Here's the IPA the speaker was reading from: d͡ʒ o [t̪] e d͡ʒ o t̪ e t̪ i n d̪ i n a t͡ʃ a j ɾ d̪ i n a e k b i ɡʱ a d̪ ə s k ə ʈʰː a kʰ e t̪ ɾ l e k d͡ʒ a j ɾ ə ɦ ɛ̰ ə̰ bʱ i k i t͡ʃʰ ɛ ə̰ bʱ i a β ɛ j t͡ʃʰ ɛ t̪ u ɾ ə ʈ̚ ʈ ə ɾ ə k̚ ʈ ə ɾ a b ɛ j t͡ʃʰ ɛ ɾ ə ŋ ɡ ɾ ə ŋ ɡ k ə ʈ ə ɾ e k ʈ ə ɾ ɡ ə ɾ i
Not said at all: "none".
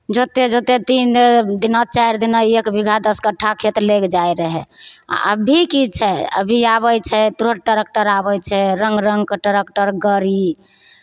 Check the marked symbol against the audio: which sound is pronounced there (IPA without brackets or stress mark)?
t̪